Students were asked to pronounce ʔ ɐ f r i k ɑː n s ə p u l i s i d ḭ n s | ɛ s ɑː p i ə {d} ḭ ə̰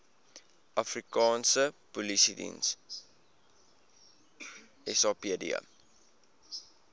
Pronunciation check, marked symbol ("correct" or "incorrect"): correct